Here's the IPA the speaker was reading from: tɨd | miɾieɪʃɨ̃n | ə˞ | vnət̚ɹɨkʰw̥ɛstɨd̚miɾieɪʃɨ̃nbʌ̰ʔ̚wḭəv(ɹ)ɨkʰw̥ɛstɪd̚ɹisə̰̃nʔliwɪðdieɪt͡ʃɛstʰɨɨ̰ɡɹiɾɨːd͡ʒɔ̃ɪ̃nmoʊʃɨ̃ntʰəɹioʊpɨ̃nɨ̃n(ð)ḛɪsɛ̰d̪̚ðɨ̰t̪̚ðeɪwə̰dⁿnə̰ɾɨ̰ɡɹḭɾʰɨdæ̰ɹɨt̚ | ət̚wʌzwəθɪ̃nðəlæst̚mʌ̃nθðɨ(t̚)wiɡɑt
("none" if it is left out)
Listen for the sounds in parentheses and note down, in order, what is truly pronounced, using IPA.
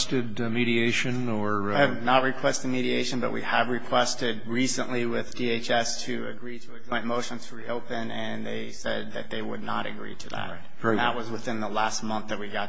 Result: ɹ, ð, t̚

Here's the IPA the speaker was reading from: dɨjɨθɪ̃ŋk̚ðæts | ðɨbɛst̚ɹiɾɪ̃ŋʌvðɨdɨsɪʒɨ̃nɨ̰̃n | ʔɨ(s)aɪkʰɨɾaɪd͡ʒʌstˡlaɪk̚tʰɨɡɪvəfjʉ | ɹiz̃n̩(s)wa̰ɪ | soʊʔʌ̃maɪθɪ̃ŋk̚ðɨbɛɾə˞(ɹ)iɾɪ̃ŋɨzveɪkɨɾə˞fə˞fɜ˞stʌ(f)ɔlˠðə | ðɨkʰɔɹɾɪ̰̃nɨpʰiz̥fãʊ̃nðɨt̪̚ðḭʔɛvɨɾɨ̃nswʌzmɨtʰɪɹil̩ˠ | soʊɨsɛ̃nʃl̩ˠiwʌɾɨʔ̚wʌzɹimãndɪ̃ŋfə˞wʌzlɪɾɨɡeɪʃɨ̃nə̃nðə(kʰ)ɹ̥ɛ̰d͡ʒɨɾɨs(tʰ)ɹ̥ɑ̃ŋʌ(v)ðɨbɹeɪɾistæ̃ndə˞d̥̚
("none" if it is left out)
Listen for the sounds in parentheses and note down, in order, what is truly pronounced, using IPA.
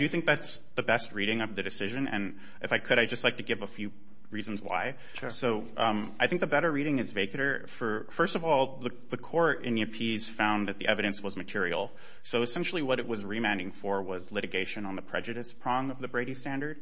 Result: f, z, ɹ, v, pʰ, pʰ, v

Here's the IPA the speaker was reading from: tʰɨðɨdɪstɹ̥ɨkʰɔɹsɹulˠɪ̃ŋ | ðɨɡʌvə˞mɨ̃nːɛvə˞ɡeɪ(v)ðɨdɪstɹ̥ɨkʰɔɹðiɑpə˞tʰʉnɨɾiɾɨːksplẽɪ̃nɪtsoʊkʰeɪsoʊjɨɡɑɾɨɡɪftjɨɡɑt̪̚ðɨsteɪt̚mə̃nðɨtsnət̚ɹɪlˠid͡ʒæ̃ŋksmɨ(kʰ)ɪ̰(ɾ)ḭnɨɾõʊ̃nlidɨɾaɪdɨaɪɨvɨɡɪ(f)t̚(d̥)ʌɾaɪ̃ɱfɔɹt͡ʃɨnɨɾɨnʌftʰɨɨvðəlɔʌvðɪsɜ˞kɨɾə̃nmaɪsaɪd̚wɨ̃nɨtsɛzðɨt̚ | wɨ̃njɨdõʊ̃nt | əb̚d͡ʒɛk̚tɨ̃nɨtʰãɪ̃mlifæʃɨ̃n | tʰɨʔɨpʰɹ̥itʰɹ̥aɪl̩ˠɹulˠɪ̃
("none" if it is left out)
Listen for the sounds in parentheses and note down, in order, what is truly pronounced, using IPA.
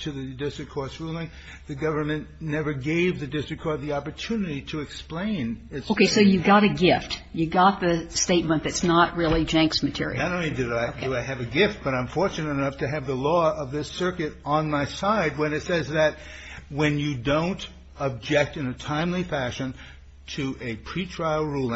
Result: v, tʰ, ɹ, f, b̥

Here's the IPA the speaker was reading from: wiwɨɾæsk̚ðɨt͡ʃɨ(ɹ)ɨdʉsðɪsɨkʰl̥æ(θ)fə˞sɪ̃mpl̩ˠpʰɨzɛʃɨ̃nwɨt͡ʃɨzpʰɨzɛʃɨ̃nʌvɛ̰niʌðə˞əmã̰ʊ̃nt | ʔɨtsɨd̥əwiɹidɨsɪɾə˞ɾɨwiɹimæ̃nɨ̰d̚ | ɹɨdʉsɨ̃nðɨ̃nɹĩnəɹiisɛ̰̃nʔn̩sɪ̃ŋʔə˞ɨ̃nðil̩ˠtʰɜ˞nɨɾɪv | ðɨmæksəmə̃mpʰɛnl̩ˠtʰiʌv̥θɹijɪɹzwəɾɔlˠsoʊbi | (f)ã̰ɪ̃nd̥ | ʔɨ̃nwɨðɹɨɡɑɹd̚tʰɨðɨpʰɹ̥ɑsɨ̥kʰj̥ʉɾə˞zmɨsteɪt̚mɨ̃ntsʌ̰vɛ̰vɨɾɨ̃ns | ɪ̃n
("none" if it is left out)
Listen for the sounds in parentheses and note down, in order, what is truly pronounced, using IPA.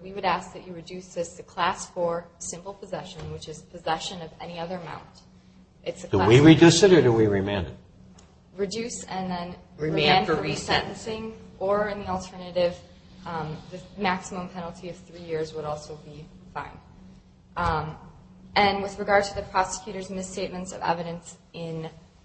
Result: ɹ, s, f

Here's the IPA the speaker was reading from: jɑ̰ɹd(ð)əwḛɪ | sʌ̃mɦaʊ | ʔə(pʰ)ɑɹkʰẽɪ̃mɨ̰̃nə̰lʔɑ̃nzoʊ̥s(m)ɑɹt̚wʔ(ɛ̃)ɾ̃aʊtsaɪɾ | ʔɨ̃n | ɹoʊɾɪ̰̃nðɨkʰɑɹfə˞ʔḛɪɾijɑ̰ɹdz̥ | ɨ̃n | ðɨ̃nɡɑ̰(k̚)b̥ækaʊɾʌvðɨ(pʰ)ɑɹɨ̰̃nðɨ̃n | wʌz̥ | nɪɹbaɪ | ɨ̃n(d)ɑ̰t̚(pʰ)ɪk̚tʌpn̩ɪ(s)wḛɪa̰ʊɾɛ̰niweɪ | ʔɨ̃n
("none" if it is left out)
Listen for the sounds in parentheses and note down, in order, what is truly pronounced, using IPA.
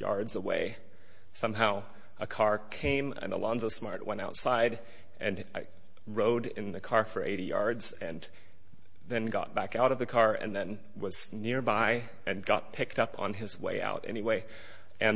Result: z, kʰ, m, ɛ̃, t̚, kʰ, ɡ, pʰ, z

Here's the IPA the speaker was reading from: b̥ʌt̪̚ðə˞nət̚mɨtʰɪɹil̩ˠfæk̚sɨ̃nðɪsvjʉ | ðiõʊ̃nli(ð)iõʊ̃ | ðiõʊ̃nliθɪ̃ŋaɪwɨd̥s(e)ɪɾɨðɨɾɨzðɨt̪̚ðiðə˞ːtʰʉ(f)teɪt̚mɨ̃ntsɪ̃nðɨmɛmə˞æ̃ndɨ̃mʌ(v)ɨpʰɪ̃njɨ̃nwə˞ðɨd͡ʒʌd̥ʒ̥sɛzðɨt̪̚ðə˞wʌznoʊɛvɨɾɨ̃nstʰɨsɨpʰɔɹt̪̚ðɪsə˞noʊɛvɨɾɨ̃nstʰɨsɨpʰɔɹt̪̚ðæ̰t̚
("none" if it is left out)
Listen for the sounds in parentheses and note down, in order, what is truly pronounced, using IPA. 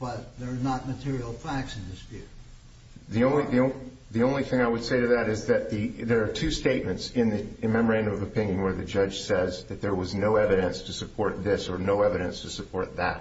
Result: ð, e, s, v

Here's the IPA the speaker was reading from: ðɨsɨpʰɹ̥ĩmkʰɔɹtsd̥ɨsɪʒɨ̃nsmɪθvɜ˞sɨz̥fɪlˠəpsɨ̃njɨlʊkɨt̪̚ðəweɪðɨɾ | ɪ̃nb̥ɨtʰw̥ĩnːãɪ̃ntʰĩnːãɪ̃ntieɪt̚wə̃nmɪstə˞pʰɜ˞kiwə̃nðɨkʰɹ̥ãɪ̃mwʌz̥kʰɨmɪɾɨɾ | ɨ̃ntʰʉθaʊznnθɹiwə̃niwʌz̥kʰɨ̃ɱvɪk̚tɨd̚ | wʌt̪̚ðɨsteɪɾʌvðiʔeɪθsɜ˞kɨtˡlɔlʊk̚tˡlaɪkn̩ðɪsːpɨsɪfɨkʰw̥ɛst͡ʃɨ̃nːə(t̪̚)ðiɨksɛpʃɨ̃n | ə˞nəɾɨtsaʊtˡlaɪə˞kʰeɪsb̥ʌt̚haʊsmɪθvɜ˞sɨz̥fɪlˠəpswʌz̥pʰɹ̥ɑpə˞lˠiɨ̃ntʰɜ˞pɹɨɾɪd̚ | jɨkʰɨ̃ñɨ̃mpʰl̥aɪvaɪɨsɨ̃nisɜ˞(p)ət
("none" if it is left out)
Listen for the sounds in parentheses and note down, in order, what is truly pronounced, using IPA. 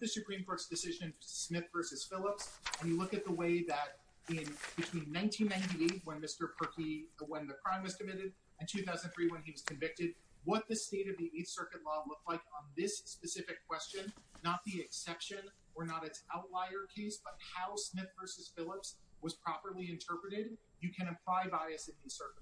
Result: t̪̚, k

